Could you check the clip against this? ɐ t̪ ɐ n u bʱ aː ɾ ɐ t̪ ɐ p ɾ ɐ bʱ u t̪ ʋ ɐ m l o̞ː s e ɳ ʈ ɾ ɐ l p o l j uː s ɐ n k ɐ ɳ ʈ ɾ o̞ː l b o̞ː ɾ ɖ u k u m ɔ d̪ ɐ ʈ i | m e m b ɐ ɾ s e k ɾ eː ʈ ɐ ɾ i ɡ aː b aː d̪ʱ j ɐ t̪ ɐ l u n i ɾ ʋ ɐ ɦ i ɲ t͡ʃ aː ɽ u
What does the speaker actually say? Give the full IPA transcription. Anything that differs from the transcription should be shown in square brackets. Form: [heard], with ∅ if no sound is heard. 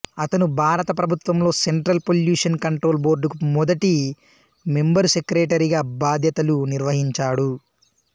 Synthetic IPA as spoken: ɐ t̪ ɐ n u bʱ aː ɾ ɐ t̪ ɐ p ɾ ɐ bʱ u t̪ ʋ ɐ m l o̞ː s e ɳ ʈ ɾ ɐ l p o l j uː [ʂ] ɐ n k ɐ ɳ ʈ ɾ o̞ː l b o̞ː ɾ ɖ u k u m ɔ d̪ ɐ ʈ i | m e m b ɐ ɾ s e k ɾ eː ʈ ɐ ɾ i ɡ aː b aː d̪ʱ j ɐ t̪ ɐ l u n i ɾ ʋ ɐ ɦ i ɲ t͡ʃ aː ɽ u